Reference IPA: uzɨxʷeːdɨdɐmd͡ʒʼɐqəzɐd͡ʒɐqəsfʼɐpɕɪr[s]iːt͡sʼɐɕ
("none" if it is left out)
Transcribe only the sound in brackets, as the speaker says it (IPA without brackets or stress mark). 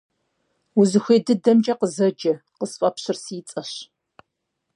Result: s